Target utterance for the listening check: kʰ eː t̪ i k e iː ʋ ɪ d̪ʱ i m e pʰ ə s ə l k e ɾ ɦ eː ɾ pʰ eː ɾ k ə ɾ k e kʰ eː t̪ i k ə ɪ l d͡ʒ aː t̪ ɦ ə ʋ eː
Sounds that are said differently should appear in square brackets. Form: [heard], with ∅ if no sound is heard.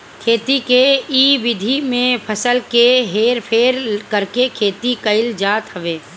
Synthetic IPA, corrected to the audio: kʰ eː t̪ i k e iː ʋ ɪ d̪ʱ i m [ẽ] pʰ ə s ə l k e [∅] ɦ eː ɾ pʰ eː ɾ k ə ɾ k e kʰ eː t̪ i k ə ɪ l d͡ʒ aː t̪ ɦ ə ʋ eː